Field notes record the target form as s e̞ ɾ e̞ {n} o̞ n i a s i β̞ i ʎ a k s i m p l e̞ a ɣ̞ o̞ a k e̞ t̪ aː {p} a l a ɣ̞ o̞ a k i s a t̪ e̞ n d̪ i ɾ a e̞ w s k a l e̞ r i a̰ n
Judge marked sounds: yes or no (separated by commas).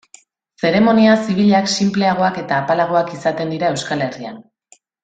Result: no, yes